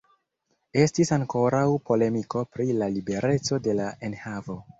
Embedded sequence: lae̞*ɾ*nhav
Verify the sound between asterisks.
incorrect: none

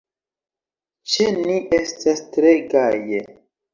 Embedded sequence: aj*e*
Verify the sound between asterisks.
correct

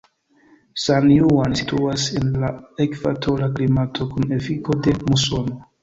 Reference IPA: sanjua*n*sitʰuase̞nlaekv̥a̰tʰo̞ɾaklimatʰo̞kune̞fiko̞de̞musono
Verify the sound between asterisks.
correct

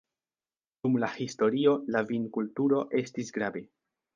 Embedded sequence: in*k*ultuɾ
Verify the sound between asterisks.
correct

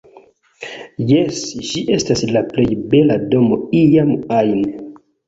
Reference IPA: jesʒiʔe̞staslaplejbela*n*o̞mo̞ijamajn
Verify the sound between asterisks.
incorrect: d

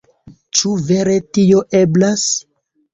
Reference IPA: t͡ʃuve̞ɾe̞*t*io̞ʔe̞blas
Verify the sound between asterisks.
correct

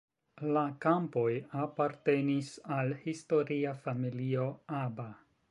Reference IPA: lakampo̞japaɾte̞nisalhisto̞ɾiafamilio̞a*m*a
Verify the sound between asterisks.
incorrect: b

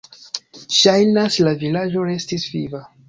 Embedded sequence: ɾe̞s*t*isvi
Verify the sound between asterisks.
correct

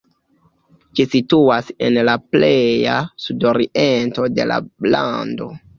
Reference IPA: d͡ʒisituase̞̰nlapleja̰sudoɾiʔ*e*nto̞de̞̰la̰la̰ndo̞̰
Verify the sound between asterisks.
correct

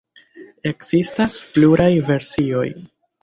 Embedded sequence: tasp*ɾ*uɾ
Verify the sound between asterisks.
incorrect: l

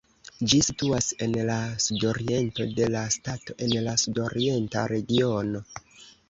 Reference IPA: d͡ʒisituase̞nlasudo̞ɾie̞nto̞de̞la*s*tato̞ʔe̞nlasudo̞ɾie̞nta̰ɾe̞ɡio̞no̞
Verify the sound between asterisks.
correct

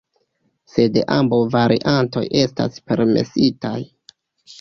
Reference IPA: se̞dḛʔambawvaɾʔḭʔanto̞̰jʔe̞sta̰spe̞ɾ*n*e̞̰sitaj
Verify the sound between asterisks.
incorrect: m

